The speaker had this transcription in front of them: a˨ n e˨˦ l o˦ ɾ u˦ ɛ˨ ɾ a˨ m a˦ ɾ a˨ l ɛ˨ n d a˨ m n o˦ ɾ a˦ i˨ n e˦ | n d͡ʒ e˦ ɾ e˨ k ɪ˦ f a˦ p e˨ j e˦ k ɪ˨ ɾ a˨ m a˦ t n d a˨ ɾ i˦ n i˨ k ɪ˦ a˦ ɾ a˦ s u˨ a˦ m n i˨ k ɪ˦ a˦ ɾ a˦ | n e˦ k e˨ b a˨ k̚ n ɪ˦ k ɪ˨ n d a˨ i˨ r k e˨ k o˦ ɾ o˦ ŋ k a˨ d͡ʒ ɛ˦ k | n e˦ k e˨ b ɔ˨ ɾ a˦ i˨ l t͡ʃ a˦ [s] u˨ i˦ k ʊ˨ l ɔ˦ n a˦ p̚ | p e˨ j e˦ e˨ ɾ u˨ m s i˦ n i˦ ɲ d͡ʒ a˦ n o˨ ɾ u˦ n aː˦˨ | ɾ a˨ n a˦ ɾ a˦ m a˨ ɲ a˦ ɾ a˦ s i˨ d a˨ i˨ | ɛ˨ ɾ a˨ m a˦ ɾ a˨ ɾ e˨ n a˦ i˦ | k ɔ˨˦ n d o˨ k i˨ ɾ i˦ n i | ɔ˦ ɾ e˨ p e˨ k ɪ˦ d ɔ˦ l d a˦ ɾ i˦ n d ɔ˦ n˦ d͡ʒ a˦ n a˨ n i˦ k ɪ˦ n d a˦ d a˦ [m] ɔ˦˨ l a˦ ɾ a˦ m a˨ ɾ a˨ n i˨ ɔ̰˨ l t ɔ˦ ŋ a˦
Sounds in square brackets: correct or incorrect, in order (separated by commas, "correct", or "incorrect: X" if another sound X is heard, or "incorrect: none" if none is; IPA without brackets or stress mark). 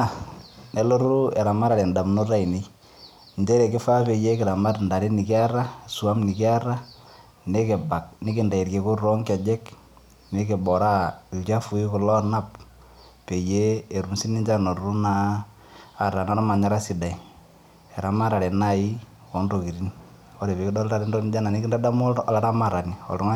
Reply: incorrect: f, correct